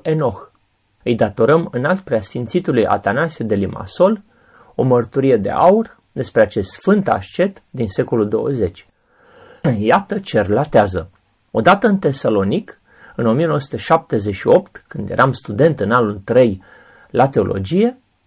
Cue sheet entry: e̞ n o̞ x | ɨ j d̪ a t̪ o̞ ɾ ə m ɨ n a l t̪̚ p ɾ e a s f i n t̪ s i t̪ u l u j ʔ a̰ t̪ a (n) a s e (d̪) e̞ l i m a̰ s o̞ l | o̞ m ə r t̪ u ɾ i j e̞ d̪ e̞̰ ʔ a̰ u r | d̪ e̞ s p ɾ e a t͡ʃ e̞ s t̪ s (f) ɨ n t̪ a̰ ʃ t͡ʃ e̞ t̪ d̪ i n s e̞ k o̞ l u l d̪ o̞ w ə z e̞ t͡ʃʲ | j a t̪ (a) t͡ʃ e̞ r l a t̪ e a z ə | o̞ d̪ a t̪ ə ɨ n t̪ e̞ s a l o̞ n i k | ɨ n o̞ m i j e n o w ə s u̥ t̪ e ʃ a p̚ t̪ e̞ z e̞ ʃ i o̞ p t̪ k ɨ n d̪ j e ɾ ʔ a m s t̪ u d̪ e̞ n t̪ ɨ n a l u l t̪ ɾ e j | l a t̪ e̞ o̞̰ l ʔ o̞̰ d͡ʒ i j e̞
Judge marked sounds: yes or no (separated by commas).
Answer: yes, yes, yes, no